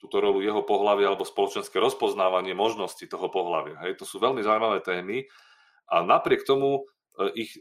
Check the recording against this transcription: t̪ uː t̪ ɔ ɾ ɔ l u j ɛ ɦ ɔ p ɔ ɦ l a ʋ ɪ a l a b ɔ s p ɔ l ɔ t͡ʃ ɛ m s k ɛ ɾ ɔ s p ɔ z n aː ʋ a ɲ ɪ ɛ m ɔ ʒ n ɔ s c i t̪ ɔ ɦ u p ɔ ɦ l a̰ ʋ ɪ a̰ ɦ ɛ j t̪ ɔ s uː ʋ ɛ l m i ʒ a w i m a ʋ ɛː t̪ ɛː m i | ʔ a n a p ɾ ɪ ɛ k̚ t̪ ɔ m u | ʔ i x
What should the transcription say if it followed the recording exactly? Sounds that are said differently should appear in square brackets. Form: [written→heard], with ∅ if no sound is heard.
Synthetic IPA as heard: t̪ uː t̪ ɔ ɾ ɔ l u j ɛ ɦ ɔ p ɔ ɦ l a ʋ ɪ a l [a→ɛ] b ɔ s p ɔ l ɔ t͡ʃ ɛ [m→n] s k ɛ ɾ ɔ s p ɔ z n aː ʋ a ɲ ɪ ɛ m ɔ ʒ n ɔ s c i t̪ ɔ ɦ [u→ɔ] p ɔ ɦ l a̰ ʋ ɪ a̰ ɦ ɛ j t̪ ɔ s uː ʋ ɛ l m i [ʒ→z] a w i m a ʋ ɛː t̪ ɛː m i | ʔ a n a p ɾ ɪ ɛ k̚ t̪ ɔ m u | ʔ i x